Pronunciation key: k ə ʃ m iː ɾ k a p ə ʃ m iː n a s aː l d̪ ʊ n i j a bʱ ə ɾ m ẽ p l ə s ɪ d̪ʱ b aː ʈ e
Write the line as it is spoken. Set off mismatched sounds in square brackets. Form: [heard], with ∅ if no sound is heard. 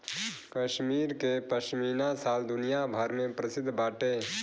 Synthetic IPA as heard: k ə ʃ m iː ɾ k [e] p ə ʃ m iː n a s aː l d̪ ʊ n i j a bʱ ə ɾ m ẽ p [ɾ] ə s ɪ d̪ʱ b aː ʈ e